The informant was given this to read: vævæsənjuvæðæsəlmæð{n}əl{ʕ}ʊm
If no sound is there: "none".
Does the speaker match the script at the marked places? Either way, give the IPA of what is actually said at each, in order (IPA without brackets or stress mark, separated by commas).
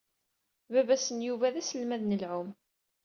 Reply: n, ʕ